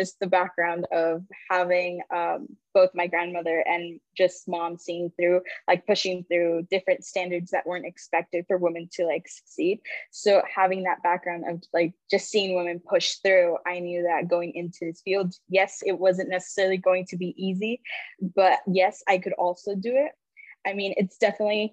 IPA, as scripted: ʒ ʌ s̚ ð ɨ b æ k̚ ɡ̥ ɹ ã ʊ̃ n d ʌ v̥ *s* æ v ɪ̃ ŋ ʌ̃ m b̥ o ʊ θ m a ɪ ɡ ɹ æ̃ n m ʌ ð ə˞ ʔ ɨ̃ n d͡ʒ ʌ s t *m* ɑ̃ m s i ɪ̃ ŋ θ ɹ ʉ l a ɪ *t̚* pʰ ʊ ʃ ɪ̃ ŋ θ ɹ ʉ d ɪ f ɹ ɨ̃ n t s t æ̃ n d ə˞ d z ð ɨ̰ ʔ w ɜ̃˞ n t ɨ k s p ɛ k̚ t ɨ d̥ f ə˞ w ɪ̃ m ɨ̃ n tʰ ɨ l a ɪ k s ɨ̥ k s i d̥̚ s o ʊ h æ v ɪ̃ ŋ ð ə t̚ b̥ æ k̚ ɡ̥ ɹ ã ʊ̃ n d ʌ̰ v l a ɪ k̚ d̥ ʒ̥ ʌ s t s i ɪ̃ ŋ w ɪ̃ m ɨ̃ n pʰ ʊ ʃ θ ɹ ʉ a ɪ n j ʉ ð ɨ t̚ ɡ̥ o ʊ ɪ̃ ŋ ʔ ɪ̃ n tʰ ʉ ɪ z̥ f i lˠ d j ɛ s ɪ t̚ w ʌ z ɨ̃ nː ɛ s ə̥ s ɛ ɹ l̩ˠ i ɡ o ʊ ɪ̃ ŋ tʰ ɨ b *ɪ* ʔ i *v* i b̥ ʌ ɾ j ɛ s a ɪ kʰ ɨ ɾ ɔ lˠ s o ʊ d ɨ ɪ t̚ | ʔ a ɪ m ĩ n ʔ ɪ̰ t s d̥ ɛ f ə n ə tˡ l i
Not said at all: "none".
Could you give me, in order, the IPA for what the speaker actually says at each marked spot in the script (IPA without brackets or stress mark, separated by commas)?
h, m, k̚, i, z